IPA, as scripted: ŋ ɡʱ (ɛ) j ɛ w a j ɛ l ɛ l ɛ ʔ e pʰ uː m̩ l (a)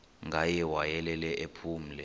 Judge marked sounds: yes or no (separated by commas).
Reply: no, no